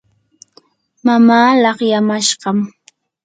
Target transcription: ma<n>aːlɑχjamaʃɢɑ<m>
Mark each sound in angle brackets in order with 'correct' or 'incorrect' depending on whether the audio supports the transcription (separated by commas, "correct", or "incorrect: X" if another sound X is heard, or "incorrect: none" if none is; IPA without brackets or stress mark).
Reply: incorrect: m, correct